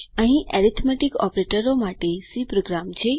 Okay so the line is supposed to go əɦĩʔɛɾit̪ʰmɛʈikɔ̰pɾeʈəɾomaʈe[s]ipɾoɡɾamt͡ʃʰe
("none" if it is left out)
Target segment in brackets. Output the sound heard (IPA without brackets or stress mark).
s